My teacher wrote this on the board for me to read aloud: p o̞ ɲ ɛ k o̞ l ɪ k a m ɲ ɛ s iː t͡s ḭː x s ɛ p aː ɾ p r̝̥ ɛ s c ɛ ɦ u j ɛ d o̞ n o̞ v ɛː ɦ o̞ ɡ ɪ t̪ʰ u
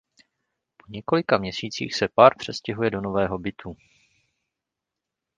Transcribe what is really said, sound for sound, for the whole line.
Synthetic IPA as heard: p o̞ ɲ ɛ k o̞ l ɪ k a m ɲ ɛ s iː t͡s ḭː x s ɛ p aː ɾ p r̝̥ ɛ s c ɛ ɦ u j ɛ d o̞ n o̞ v ɛː ɦ o̞ b ɪ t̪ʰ u